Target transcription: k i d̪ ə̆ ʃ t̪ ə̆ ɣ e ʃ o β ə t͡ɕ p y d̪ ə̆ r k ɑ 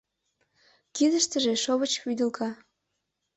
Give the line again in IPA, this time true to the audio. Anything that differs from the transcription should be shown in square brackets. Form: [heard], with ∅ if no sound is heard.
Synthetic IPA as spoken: k i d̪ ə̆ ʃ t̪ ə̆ [ʒ] e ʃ o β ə t͡ɕ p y d̪ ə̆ [l] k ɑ